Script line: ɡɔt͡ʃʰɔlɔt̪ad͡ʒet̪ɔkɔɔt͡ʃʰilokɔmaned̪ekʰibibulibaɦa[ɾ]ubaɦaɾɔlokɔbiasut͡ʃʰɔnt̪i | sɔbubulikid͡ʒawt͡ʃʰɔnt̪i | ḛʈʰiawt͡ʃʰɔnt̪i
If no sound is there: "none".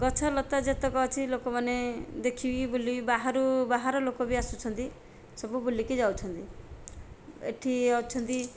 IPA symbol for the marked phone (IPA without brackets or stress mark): ɾ